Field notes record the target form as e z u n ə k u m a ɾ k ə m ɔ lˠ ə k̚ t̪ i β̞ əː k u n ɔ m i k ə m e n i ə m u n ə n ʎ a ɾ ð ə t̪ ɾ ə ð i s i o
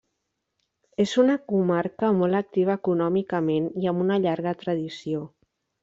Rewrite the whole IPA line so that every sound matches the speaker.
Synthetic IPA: e z u n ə k u m a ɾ k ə m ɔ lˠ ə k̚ t̪ i β̞ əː k u n ɔ m i k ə m e n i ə m u n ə ʎ a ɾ ɣ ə t̪ ɾ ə ð i s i o